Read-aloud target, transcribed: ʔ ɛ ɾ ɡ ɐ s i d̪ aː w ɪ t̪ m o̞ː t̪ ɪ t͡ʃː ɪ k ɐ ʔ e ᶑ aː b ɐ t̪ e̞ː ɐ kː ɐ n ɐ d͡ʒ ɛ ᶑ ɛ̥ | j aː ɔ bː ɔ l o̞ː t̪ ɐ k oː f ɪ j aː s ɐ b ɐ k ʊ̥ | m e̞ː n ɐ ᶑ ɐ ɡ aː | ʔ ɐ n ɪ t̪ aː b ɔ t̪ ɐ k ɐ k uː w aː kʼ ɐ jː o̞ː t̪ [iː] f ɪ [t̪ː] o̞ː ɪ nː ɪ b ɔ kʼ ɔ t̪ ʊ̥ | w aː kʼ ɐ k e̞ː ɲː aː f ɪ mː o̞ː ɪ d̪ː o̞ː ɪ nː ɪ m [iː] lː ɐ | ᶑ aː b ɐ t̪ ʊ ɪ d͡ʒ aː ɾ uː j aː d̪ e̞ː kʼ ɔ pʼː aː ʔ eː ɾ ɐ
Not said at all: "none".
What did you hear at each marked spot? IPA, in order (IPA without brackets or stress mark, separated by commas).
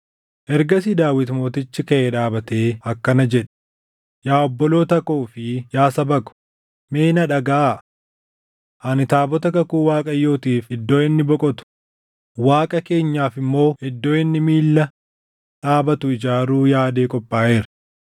iː, d̪ː, iː